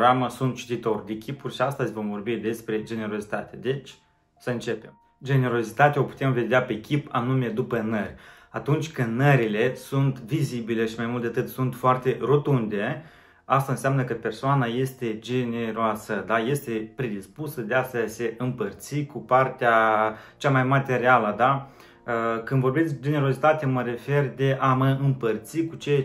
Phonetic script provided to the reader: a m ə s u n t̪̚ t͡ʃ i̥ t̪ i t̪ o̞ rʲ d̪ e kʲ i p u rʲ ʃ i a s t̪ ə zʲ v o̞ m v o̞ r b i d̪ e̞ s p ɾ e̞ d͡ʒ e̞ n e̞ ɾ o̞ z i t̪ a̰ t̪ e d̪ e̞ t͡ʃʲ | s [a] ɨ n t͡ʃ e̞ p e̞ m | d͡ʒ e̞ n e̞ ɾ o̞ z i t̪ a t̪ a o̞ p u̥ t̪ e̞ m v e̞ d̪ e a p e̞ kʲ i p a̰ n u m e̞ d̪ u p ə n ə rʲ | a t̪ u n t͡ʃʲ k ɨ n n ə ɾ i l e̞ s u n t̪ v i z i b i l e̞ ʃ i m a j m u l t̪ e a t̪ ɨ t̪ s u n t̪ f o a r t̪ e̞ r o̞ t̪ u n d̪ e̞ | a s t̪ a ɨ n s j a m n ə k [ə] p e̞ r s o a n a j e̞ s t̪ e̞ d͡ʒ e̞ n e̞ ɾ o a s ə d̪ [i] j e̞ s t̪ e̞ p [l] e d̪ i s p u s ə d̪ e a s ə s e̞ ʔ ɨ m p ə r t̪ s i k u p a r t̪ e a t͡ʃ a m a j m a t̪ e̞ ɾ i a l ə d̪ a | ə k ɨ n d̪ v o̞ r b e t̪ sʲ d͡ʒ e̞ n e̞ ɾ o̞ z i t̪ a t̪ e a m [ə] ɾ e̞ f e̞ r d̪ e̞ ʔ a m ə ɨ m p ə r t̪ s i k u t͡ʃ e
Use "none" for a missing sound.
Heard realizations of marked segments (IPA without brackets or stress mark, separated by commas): ə, ə, a, ɾ, ə